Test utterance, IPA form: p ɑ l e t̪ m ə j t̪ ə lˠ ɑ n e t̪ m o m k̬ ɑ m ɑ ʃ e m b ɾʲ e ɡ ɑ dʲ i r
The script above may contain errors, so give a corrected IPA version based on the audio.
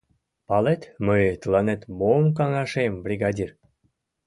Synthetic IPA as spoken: p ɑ l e t̪ m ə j t̪ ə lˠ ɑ n e t̪ m o m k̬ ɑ ŋ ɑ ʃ e m b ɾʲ i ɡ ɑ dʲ i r

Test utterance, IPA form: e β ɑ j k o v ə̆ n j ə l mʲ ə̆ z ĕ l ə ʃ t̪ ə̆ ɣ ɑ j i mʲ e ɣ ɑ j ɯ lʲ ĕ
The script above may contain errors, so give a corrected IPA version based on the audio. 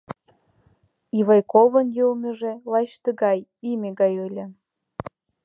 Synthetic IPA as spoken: i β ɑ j k o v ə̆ n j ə l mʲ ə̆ ʒ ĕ l ɑ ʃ t̪ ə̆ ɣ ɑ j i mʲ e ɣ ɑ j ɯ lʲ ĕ

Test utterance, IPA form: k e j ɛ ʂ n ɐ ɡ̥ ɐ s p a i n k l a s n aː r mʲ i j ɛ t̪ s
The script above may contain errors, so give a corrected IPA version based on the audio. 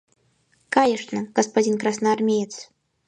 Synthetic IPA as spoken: k a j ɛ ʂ n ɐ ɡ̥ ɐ s p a i n k ɾ a s n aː r mʲ e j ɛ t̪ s

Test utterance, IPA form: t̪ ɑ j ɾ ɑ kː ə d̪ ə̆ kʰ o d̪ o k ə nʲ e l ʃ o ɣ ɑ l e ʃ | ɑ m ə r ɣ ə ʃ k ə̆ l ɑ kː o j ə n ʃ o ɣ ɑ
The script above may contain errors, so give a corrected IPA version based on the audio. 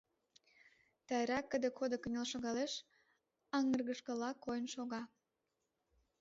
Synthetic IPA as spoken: t̪ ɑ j ɾ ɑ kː ə d̪ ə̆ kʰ o d̪ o k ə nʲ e l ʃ o ɣ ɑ l e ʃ | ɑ ŋ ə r ɣ ə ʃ k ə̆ l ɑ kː o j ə n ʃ o ɣ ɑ

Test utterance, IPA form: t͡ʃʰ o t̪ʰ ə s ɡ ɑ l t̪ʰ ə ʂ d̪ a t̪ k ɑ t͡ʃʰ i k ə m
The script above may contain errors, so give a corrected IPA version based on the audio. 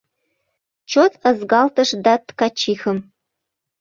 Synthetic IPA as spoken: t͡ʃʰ o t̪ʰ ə z ɡ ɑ l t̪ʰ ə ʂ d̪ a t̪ k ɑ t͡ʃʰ i x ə m

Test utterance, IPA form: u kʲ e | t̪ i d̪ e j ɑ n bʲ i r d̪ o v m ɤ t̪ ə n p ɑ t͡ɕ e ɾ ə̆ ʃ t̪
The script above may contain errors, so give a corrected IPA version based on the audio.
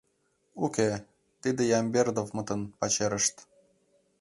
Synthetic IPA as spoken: u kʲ e | t̪ i d̪ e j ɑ m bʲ e r d̪ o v m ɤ t̪ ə n p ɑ t͡ɕ e ɾ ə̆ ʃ t̪

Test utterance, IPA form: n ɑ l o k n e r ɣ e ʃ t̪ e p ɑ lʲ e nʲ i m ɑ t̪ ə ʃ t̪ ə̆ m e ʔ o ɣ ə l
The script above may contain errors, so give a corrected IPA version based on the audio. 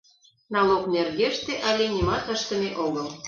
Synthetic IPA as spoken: n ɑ l o k n e r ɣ e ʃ t̪ e ʔ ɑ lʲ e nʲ i m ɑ t̪ ə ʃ t̪ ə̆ m e ʔ o ɣ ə l

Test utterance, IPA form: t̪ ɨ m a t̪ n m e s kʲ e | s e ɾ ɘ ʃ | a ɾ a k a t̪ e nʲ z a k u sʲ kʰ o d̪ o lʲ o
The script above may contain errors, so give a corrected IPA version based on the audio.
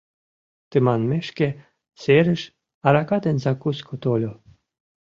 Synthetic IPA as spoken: t̪ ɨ m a n m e ʃ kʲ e | s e ɾ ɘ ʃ | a ɾ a k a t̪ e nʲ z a k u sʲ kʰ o t̪ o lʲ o

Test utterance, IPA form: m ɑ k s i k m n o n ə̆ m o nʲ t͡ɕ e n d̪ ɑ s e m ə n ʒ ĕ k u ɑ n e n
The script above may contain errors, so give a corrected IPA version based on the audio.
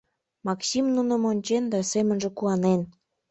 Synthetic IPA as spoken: m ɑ k s i m n u n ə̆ m o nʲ t͡ɕ e n d̪ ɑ s e m ə n ʒ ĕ k u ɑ n e n

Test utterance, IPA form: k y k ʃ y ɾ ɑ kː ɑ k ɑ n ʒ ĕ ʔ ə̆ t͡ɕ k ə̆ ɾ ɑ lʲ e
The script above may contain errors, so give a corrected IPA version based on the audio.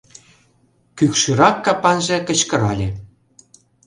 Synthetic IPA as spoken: k y k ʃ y ɾ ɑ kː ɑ p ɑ n ʒ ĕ k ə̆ t͡ɕ k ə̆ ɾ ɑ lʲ e

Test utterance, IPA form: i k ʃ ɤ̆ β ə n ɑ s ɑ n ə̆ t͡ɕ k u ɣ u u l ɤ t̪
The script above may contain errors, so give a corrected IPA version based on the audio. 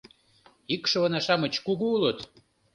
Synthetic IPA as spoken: i k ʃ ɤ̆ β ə n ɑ ʃ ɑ m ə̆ t͡ɕ k u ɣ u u l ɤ t̪

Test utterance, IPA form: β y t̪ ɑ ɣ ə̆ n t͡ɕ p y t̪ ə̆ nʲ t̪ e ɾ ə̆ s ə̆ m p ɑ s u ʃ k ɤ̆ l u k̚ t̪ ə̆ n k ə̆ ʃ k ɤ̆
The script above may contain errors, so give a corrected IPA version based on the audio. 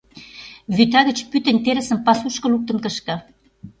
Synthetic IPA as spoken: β y t̪ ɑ ɣ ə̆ t͡ɕ p y t̪ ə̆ nʲ t̪ e ɾ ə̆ s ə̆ m p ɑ s u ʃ k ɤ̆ l u k̚ t̪ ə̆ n k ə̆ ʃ k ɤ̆

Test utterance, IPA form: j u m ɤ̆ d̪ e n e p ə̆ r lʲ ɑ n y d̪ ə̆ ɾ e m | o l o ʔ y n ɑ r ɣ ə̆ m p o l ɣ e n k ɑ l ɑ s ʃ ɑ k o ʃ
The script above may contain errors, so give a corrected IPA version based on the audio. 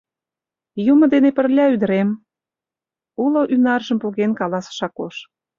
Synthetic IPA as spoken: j u m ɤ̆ d̪ e n e p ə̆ r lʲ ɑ y d̪ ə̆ ɾ e m | u l o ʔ y n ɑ r ʒ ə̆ m p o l ɣ e n k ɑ l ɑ s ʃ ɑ k o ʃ

